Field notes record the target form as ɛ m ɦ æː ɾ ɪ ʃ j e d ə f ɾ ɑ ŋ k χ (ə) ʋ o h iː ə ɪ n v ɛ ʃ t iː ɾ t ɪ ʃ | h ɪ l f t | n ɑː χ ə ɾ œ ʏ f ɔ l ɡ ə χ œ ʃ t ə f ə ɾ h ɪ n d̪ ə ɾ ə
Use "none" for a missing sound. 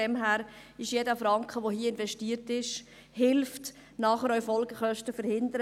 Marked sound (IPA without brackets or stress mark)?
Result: ə